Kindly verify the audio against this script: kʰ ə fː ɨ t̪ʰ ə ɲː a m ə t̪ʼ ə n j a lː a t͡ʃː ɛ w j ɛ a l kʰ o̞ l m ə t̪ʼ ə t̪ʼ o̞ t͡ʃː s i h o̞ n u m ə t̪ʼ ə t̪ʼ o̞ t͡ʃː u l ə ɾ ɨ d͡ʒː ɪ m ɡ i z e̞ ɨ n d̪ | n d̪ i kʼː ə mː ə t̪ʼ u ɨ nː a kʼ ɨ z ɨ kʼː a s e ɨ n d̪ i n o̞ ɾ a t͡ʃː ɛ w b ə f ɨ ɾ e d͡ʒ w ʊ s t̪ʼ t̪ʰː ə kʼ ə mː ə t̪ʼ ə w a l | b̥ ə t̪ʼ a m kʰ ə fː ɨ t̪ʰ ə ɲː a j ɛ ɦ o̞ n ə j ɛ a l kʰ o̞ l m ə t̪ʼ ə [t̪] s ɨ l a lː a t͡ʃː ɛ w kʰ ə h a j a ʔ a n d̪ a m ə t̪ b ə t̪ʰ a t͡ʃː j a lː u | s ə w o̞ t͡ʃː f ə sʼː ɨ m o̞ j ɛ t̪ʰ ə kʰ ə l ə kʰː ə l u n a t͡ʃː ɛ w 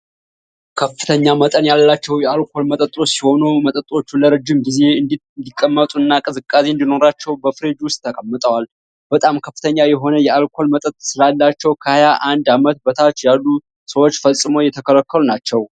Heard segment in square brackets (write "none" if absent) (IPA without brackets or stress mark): t̪ʼ